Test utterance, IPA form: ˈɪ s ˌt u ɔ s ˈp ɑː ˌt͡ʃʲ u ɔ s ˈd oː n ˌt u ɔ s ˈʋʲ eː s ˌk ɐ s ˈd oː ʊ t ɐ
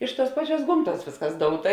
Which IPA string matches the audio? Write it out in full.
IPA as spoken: ˈɪ ʃ ˌt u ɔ s ˈp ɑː ˌt͡ʃʲ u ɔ s ˈɡ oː m ˌt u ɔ s ˈʋʲ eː s ˌk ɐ s ˈd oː ʊ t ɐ